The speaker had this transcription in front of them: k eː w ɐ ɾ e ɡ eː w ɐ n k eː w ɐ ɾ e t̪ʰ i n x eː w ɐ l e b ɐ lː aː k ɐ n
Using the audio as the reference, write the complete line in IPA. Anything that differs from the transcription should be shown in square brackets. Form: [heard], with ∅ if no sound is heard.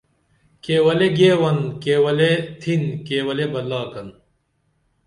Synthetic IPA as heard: k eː w ɐ [l] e ɡ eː w ɐ n k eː w ɐ [l] e t̪ʰ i n [k] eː w ɐ l e b ɐ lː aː k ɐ n